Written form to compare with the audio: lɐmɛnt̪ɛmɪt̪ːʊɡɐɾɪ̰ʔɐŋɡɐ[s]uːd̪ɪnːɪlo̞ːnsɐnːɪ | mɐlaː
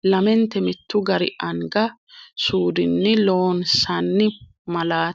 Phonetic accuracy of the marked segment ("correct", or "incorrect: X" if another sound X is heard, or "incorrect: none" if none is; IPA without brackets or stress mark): correct